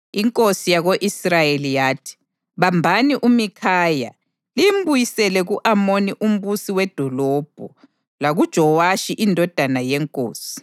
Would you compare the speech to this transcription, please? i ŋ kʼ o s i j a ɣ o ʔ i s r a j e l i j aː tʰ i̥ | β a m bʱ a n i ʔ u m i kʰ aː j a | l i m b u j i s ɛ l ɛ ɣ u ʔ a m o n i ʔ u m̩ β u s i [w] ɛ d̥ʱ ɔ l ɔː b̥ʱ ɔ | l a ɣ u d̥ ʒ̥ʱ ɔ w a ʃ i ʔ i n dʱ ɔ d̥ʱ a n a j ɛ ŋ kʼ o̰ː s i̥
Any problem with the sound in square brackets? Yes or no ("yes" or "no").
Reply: no